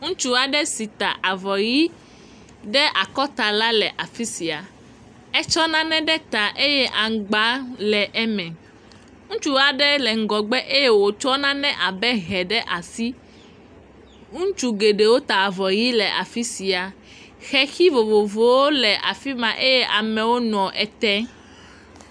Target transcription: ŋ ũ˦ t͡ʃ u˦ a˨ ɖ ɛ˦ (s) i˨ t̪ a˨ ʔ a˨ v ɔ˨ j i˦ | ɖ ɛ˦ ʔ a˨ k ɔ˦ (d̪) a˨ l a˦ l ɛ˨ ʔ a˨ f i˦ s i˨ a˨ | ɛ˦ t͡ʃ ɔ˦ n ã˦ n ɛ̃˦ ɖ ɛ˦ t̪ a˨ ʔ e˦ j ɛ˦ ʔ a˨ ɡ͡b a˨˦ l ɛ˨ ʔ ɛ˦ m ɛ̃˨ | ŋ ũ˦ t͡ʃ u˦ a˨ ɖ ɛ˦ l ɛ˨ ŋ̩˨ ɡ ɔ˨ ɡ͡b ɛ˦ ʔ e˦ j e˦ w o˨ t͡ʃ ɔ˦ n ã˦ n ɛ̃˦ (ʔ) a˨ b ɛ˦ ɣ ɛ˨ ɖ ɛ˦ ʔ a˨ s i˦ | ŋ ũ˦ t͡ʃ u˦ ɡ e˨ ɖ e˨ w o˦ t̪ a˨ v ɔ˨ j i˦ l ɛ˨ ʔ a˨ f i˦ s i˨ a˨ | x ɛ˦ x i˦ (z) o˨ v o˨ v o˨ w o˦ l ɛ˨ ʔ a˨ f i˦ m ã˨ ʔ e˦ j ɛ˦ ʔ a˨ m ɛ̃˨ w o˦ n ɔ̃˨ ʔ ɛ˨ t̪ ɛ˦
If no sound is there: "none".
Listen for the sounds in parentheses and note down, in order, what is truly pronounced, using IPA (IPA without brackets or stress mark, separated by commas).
s, t̪, ʔ, v